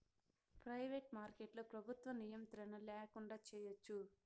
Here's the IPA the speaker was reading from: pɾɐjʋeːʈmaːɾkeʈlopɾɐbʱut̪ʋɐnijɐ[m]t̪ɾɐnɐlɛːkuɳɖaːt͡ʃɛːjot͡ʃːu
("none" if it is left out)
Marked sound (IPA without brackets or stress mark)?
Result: m